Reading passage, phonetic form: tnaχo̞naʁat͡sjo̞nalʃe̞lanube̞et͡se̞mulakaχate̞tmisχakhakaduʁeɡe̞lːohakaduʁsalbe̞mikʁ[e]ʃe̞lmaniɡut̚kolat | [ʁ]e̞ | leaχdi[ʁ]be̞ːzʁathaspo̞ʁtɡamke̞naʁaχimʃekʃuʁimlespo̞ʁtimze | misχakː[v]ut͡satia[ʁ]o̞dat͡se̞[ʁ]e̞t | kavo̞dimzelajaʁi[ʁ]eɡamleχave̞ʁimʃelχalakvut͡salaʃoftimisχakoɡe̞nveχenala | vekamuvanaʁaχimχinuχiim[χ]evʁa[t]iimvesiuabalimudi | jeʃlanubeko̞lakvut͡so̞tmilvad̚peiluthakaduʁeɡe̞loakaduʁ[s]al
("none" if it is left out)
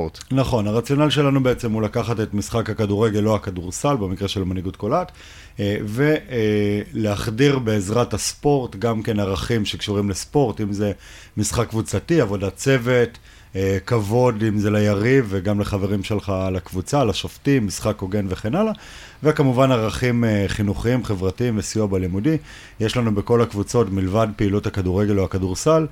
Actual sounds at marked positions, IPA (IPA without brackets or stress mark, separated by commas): e, v, ʁ, v, v, v, v, χ, t, s